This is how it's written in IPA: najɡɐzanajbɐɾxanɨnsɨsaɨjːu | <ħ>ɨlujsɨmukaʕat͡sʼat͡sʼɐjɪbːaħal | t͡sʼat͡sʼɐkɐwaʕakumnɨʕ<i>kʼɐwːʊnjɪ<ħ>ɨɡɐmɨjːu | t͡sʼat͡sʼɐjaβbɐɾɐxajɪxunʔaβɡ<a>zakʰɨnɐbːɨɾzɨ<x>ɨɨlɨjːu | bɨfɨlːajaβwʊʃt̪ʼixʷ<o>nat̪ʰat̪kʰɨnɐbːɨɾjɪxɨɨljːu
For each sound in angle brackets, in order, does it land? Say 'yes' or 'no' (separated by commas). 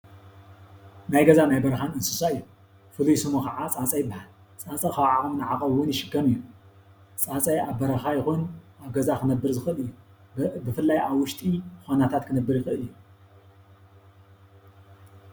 no, no, no, no, yes, yes